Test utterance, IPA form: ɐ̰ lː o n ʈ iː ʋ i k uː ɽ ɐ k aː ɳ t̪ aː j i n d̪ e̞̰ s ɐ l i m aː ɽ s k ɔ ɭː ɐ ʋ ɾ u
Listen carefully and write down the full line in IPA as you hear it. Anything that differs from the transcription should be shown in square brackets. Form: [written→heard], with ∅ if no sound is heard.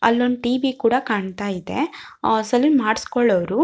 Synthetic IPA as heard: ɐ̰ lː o n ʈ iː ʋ i k uː ɽ ɐ k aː ɳ t̪ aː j i [n→∅] d̪ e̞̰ s ɐ l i m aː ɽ s k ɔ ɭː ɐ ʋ ɾ u